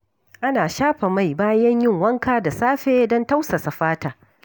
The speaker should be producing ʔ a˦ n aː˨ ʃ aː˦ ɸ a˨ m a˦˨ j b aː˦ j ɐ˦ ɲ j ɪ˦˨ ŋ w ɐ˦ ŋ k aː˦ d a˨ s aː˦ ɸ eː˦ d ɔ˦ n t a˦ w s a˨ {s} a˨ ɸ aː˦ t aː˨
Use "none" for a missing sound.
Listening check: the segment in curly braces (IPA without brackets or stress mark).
s